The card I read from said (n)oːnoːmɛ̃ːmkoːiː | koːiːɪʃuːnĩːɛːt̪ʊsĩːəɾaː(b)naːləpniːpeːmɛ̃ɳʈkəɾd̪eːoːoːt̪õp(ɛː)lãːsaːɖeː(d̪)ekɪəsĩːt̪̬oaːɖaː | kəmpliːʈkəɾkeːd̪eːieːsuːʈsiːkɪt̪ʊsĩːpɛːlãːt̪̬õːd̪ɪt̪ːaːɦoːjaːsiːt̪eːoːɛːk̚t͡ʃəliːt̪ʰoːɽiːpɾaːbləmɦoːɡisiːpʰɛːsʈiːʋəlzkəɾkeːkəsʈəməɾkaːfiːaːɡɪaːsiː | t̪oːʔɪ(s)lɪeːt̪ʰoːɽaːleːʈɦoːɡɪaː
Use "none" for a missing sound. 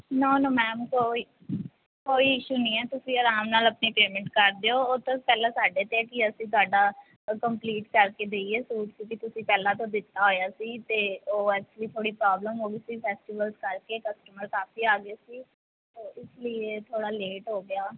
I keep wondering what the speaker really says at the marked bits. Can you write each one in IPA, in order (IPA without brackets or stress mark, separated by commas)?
n, m, ɛː, t̪, s